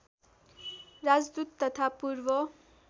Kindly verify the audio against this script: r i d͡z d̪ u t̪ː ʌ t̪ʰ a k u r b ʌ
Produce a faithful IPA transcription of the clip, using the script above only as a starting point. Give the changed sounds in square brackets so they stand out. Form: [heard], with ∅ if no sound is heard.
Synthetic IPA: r [a] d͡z d̪ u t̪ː ʌ t̪ʰ a [p] u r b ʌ